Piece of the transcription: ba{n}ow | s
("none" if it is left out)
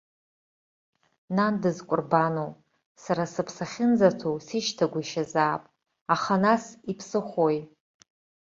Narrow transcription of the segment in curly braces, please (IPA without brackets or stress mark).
n